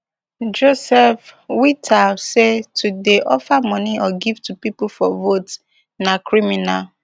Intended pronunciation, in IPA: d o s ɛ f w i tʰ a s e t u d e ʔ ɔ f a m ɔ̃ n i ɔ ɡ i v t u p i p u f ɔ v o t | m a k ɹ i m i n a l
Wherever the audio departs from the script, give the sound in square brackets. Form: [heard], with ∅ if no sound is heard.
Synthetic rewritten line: [d͡ʒ] o s ɛ f w i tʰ a s e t u d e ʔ ɔ f a m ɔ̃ n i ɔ ɡ i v t u p i p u f ɔ v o t | [n] a k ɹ i m i n a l